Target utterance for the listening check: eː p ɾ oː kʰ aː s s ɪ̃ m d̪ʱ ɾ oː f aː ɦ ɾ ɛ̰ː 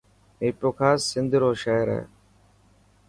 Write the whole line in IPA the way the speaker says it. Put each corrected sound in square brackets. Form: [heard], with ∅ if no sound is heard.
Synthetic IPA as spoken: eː p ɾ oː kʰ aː s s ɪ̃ [n] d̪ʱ ɾ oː [ʃ] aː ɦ ɾ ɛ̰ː